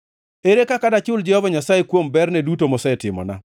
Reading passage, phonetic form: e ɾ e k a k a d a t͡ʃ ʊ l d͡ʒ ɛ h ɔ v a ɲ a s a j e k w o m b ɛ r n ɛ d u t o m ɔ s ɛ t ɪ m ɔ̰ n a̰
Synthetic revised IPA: e ɾ e k a k a d a t͡ʃ ʊ l d͡ʒ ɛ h ɔ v a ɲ a s a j e k w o m b ɛ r n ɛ d u t o m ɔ s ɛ t ɪ m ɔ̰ n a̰